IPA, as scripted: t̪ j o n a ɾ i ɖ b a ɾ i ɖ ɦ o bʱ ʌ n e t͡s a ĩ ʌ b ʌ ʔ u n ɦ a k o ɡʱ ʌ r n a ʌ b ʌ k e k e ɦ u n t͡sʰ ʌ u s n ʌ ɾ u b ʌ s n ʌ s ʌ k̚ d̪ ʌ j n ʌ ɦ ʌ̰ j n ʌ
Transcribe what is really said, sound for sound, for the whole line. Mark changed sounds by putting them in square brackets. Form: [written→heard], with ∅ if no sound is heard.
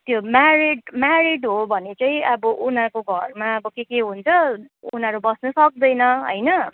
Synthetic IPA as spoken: t̪ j o [n→m] a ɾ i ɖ [b→m] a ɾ i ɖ ɦ o bʱ ʌ n e t͡s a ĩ ʌ b ʌ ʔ u n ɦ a k o ɡʱ ʌ r [n→m] a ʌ b ʌ k e k e ɦ u n t͡sʰ ʌ u [s→∅] n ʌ ɾ u b ʌ s n ʌ s ʌ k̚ d̪ ʌ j n ʌ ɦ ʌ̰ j n ʌ